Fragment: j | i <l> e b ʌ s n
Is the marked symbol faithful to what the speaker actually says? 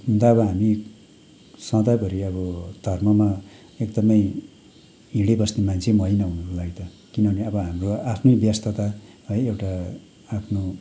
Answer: no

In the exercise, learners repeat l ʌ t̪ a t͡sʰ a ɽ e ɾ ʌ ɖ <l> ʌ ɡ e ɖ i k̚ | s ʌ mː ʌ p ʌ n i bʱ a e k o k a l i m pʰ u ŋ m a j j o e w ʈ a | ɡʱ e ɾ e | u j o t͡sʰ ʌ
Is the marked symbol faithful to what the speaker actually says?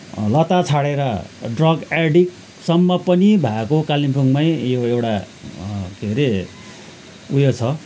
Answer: no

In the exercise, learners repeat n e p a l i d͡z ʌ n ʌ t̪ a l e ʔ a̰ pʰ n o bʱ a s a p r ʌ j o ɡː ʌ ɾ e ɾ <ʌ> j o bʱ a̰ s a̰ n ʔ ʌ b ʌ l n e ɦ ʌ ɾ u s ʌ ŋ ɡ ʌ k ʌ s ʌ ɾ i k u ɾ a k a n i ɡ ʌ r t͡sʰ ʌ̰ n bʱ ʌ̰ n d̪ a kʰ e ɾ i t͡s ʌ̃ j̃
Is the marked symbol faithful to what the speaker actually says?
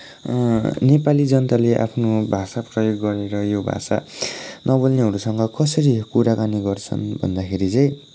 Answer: yes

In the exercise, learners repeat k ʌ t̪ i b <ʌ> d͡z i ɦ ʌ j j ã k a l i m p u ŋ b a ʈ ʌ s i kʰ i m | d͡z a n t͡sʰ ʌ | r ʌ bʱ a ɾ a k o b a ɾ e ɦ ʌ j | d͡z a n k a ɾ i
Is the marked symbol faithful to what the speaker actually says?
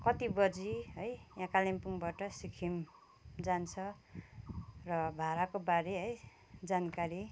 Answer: yes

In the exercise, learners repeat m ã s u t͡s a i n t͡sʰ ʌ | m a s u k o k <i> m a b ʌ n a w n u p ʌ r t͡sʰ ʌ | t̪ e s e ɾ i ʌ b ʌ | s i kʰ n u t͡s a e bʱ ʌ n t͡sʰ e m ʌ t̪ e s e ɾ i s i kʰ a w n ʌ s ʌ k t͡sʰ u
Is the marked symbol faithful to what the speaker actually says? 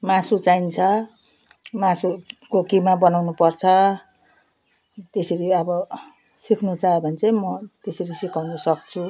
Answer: yes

